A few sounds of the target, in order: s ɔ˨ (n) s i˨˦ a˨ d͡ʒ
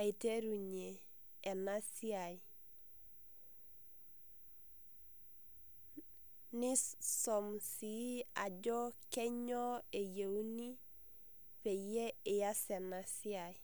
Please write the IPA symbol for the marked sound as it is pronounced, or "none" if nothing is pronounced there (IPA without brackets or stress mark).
m